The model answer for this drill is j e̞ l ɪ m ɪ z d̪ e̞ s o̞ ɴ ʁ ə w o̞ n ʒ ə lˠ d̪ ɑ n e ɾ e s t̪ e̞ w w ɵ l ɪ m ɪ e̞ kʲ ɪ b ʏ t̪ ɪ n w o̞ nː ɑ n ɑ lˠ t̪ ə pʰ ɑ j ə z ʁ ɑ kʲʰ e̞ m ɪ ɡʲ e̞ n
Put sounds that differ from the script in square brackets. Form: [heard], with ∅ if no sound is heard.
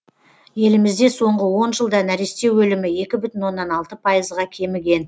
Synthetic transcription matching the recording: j e̞ l ɪ m ɪ z d̪ e̞ s o̞ ɴ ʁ ə w o̞ n ʒ ə lˠ d̪ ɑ n [æ] ɾ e s t̪ e̞ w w ɵ l ɪ m ɪ e̞ kʲ ɪ b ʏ t̪ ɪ n w o̞ nː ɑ n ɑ lˠ t̪ ə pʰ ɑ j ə z ʁ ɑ kʲʰ e̞ m ɪ ɡʲ e̞ n